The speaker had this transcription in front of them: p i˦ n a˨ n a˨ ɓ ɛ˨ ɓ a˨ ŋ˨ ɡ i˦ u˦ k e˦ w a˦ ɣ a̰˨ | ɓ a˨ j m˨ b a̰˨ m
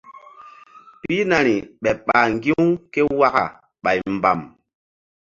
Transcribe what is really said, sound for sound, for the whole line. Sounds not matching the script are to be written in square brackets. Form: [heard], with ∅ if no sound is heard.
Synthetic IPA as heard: p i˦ n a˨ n [i˨] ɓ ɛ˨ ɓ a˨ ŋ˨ ɡ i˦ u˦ k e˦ w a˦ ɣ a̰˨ | ɓ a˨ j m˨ b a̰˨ m